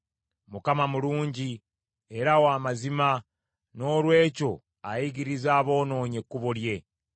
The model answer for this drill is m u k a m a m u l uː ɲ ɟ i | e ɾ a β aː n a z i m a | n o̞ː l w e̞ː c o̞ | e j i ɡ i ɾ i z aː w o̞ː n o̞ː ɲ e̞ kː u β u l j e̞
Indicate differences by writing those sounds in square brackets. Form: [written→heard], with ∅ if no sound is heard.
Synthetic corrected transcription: m u k a m a m u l uː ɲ ɟ i | e ɾ a [β→w] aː [n→m] a z i m a | n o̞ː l w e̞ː c o̞ | [e→a] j i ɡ i ɾ i z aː [w→β] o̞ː n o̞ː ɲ e̞ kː u β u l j e̞

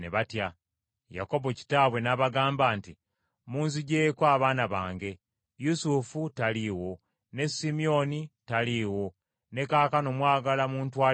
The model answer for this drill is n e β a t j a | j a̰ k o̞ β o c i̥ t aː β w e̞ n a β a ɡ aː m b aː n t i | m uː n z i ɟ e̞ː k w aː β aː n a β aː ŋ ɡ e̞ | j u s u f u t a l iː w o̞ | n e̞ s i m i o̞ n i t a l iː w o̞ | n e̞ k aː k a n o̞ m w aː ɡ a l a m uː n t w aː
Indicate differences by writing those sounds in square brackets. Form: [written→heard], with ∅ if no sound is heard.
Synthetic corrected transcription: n e β a t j a | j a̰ k o̞ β o c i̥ t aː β w e̞ n a β a ɡ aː m b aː n t i | m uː n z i ɟ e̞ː k w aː β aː n a β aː ŋ ɡ e̞ | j u s u f u t a l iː w o̞ | n e̞ s i m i o̞ n i t a l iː w o̞ | n e̞ k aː k a n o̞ m w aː ɡ a l a m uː n t w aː

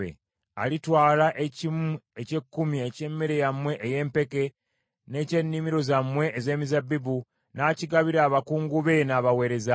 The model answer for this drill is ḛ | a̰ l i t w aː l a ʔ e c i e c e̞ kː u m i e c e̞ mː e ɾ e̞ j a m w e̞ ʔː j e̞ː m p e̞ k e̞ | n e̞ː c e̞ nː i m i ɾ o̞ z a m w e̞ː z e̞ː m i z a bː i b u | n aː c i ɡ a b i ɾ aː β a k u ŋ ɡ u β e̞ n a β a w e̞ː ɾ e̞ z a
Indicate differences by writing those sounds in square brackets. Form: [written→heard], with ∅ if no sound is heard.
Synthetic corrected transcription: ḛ | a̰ l i t w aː l a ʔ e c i e c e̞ kː u m i e c e̞ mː e ɾ e̞ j a m w e̞ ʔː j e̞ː m p e̞ k e̞ | n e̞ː c e̞ nː i m i ɾ o̞ z a m w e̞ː z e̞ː m i z a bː i b u | n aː c i ɡ a [b→β] i ɾ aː β a k [u→uː] ŋ ɡ u β e̞ n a β a w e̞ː ɾ e̞ z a

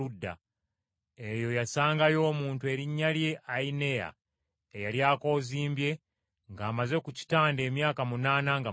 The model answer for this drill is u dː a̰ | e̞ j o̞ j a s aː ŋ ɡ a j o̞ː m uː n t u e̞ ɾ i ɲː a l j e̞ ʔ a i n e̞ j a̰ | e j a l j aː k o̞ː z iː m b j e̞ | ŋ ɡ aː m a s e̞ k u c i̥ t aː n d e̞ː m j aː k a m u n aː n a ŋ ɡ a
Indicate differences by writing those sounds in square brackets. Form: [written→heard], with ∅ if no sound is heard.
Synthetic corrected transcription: u dː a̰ | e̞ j o̞ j a s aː ŋ ɡ a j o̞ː m uː n t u e̞ ɾ i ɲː a l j e̞ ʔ a i n e̞ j a̰ | e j a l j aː k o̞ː z iː m b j e̞ | ŋ ɡ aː m a [s→z] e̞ k u c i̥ t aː n d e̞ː m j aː k a m u n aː n a ŋ ɡ a

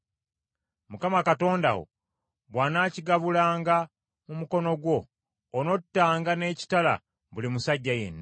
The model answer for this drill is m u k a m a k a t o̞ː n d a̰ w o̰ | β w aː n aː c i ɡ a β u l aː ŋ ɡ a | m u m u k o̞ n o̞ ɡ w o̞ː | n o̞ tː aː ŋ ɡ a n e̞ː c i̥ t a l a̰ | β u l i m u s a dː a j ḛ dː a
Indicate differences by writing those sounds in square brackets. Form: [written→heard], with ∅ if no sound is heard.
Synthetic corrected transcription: m u k a m a k a t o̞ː n d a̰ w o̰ | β w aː n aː c i ɡ a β u l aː ŋ ɡ a | m u m u k o̞ n o̞ ɡ w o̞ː | n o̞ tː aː ŋ ɡ a n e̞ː c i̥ t a l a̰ | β u l i m u s a [dː→ɟː] a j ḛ [dː→nː] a

